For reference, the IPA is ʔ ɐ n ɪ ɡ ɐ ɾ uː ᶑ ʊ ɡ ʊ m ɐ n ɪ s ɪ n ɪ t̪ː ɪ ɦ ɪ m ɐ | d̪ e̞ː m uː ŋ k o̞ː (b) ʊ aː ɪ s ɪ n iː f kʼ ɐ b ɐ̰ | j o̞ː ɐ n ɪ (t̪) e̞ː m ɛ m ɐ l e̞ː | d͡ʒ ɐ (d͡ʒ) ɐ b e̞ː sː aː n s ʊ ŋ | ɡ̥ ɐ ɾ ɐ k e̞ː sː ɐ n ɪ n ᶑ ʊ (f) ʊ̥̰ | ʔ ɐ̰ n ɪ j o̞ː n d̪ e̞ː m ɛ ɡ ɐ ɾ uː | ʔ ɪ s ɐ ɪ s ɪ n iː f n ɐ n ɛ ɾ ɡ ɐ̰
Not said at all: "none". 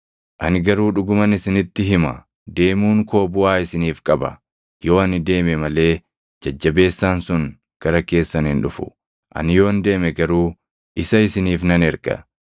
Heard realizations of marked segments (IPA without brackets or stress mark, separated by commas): b, d̪, d͡ʒː, f